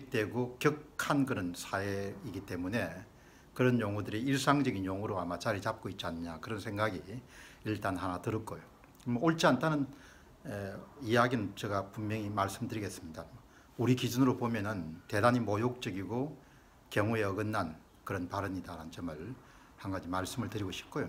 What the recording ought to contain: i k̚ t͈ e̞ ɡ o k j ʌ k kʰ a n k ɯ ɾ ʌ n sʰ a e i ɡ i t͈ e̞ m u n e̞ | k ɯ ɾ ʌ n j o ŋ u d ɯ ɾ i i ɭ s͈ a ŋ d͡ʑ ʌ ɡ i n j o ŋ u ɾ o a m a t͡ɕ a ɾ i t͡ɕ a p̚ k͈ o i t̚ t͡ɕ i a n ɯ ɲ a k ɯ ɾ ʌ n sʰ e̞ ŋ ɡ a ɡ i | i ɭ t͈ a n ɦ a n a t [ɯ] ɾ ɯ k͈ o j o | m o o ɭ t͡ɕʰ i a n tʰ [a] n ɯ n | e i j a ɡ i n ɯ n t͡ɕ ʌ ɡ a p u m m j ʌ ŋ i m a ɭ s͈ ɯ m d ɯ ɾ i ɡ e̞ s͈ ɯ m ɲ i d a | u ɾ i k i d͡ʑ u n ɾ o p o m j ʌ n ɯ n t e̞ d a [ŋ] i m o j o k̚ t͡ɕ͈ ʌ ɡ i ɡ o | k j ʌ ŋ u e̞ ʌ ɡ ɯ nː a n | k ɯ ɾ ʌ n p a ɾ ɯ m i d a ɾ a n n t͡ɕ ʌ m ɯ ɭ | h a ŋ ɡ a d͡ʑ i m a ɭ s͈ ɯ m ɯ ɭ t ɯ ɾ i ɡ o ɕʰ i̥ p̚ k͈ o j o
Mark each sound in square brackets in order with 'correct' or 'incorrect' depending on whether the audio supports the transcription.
correct, correct, incorrect

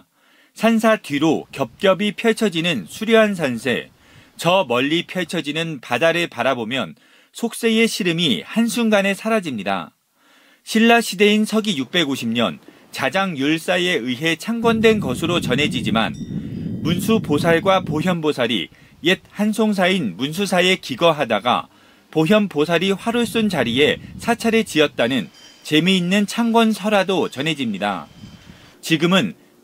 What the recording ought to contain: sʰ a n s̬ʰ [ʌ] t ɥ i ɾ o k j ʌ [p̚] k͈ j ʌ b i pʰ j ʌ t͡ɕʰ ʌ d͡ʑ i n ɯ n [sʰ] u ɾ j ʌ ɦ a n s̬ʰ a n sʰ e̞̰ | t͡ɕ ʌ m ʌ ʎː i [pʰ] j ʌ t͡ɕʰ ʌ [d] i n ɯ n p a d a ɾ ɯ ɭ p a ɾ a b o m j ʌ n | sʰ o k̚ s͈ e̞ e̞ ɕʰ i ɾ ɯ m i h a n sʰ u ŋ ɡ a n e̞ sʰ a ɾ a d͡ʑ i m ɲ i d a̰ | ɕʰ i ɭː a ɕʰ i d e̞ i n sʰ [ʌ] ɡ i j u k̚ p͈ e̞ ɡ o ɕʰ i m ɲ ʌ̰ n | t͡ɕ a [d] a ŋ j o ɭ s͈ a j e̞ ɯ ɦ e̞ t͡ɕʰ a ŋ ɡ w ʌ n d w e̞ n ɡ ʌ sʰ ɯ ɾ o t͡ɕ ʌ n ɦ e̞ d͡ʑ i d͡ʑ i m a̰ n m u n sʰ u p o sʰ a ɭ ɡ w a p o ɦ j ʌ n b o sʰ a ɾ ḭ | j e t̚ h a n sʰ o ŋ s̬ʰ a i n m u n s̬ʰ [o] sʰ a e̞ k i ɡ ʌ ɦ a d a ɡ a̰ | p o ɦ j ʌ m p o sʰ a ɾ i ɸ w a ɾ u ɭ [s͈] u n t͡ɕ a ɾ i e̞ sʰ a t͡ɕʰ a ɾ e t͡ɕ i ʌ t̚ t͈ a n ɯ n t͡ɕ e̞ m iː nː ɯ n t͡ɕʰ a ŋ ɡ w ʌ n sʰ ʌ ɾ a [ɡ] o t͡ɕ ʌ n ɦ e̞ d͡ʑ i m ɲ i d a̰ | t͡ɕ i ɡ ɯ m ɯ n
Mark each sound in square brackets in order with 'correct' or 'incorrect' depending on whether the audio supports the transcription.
incorrect, correct, correct, correct, incorrect, correct, incorrect, incorrect, correct, incorrect

